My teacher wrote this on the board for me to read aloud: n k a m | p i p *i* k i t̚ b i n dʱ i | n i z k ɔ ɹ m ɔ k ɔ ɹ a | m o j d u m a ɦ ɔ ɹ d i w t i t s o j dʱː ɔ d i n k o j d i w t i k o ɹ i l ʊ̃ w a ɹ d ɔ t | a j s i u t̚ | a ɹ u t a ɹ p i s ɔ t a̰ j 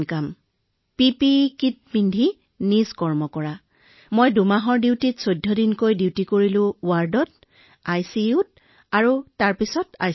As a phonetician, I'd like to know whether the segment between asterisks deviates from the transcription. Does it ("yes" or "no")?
no